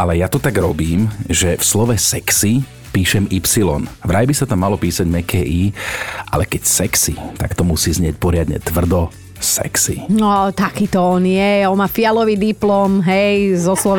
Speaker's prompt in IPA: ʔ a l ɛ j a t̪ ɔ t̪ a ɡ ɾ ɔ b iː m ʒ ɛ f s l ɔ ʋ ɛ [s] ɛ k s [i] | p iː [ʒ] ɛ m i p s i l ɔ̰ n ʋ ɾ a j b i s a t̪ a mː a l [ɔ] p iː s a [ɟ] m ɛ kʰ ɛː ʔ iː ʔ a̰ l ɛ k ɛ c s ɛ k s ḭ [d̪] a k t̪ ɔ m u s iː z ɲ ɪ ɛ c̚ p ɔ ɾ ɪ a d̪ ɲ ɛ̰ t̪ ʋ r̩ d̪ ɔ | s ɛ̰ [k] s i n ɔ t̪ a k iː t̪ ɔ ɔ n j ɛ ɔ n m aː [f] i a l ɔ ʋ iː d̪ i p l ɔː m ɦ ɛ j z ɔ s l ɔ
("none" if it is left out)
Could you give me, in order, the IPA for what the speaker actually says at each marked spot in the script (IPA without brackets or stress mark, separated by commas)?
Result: s, i, ʃ, ɔ, ɟ, t̪, k, f